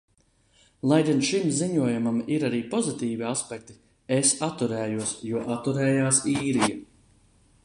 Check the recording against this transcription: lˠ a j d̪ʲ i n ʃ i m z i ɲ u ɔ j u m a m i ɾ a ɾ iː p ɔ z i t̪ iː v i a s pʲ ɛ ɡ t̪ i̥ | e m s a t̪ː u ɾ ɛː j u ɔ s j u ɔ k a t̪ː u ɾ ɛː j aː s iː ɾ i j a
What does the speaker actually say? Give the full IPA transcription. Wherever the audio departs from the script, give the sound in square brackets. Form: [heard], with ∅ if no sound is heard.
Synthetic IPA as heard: lˠ a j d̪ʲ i n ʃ i m z i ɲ u ɔ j u m a m i ɾ a ɾ iː p ɔ z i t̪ iː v i a s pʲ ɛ [k] t̪ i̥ | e [∅] s a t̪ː u ɾ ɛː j u ɔ s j u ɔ [ʔ] a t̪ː u ɾ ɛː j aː s iː ɾ i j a